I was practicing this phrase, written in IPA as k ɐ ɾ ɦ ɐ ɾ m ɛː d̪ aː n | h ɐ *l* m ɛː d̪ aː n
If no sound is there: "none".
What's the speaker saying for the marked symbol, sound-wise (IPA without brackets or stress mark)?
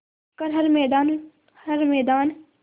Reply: ɾ